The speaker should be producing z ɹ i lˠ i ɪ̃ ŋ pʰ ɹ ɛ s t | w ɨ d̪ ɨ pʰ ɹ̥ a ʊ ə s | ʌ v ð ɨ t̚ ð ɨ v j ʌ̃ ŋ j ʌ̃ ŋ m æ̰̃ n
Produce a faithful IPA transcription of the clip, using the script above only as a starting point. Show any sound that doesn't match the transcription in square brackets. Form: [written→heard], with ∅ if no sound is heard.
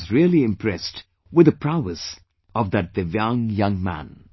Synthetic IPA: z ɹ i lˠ i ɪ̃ [ŋ→m] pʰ ɹ ɛ s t | w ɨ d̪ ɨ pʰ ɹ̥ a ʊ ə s | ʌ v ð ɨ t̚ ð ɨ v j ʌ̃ ŋ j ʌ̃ ŋ m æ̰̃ n